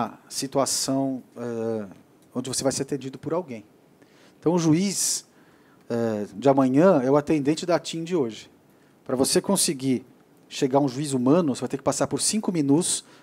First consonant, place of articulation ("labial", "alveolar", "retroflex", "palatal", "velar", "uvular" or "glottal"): alveolar